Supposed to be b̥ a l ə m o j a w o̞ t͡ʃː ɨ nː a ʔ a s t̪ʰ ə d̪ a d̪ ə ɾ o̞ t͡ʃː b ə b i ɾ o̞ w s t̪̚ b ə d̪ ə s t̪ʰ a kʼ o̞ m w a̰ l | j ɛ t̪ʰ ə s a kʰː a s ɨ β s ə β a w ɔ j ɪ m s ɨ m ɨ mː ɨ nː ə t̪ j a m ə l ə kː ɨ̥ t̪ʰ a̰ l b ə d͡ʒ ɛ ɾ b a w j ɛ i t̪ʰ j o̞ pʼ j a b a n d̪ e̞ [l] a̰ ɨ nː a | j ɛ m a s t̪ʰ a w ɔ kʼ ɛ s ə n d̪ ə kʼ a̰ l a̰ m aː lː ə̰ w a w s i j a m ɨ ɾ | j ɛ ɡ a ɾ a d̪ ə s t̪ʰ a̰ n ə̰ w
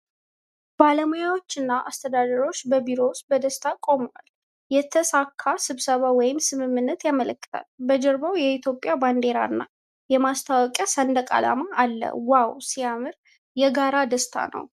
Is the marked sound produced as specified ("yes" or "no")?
no